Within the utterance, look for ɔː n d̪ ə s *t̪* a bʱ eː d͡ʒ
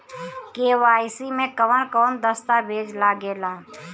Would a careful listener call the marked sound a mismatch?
no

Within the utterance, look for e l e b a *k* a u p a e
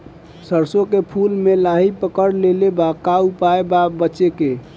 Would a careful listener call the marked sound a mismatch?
no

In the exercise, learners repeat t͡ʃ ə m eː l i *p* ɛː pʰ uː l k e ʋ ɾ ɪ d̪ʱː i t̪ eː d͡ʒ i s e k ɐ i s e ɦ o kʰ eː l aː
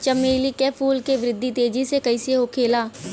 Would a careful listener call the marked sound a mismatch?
yes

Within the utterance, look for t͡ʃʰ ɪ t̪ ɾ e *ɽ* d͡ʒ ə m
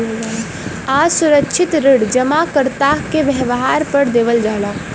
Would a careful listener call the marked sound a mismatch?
no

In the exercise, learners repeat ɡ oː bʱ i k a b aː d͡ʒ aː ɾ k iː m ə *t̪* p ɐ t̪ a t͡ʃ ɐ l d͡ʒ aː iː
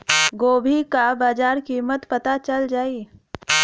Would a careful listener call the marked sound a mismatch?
no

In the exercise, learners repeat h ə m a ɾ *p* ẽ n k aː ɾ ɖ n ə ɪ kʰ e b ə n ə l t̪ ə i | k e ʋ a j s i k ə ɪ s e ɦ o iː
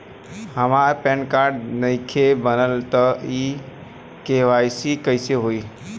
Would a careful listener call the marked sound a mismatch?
no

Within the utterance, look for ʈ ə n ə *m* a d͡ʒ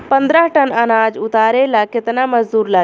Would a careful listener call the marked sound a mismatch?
yes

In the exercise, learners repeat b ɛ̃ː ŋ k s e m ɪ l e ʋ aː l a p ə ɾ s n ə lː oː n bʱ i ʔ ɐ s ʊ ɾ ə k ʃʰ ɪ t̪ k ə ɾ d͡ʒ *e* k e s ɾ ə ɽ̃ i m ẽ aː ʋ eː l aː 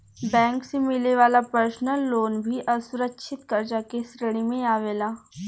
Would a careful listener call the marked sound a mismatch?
yes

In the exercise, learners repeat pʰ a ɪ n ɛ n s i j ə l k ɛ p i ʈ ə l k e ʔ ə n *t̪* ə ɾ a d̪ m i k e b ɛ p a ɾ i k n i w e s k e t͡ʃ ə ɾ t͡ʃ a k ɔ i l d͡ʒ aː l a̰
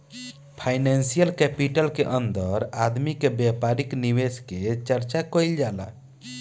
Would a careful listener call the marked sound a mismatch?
yes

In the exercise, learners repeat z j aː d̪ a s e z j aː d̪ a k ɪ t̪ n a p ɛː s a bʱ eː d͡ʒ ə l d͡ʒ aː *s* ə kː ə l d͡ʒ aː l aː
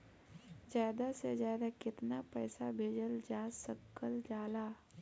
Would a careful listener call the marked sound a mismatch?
no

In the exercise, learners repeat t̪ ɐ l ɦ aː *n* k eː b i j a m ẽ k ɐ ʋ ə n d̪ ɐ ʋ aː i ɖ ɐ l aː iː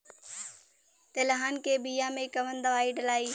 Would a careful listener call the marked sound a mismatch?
no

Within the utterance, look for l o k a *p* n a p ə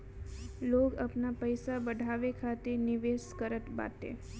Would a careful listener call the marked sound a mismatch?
no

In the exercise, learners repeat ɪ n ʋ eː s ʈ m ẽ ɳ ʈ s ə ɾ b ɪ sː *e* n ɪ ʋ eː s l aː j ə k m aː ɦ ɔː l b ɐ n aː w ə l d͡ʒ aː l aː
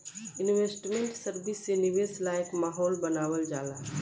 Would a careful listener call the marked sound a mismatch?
no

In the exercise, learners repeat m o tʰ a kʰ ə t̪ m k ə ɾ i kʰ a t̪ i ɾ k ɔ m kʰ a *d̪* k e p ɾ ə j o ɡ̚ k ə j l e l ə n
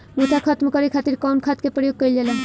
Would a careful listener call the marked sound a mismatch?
yes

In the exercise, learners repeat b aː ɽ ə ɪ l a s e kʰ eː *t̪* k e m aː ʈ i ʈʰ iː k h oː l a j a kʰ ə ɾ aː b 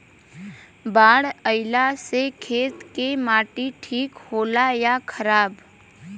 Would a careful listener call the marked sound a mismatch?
no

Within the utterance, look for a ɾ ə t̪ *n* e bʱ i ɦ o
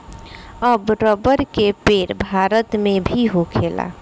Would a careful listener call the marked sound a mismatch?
yes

